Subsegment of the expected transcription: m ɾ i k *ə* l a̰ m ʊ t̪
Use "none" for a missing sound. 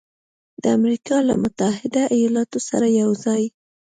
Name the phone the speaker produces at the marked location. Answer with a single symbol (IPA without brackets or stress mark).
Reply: ɑ